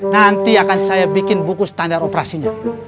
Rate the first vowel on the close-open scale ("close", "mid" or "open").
open